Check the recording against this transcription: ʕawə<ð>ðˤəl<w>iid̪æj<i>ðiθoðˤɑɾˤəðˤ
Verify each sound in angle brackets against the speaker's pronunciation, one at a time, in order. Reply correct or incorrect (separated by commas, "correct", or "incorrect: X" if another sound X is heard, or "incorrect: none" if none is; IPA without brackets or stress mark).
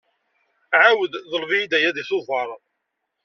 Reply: correct, incorrect: v, incorrect: æ